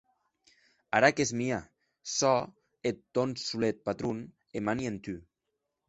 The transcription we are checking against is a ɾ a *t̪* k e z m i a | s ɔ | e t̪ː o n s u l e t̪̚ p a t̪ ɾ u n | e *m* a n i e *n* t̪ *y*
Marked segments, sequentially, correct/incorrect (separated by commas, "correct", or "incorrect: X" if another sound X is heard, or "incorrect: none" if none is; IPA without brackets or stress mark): incorrect: none, correct, correct, correct